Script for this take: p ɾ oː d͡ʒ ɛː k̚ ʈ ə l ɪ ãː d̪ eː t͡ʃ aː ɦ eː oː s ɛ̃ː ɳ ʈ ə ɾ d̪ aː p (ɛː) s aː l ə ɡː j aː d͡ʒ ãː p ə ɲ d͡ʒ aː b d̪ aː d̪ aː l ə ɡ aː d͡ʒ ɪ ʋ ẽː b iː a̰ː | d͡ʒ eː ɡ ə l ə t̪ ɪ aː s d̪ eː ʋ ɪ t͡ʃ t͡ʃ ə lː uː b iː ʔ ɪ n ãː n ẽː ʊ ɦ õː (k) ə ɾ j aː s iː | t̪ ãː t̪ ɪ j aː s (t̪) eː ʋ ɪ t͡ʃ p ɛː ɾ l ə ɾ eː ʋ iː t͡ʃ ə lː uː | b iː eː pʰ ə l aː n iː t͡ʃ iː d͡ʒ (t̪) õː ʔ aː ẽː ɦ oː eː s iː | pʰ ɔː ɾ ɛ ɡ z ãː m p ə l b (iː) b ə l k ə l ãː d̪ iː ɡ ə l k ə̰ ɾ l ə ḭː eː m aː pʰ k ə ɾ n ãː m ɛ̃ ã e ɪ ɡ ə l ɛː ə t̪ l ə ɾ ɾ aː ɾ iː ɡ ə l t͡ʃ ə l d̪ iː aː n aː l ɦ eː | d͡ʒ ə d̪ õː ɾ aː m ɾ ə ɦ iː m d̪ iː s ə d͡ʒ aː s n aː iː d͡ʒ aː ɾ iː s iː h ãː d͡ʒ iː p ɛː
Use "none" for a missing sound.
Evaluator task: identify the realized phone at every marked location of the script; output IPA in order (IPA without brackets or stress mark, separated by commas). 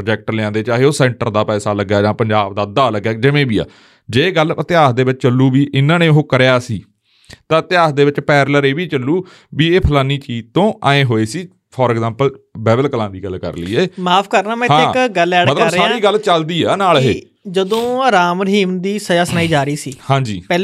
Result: ɛː, k, d̪, t̪, ɛː